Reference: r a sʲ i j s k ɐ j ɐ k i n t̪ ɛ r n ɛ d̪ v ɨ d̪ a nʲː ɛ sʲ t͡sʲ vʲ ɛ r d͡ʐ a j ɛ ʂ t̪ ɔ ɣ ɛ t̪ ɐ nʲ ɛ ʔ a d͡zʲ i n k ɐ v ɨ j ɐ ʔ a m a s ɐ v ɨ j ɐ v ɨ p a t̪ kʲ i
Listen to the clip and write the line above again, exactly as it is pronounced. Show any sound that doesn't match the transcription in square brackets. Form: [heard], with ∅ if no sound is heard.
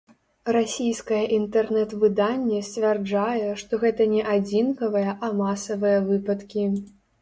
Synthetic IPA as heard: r a sʲ i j s k ɐ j ɐ [ʔ] i n t̪ ɛ r n ɛ [t̪] v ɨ d̪ a nʲː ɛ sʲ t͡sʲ vʲ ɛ r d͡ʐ a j ɛ ʂ t̪ ɔ ɣ ɛ t̪ ɐ nʲ ɛ ʔ a d͡zʲ i n k ɐ v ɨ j ɐ ʔ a m a s ɐ v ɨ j ɐ v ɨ p [ɐ] t̪ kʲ i